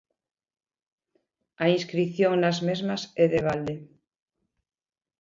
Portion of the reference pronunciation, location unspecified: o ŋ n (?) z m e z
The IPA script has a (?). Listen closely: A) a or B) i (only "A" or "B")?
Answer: A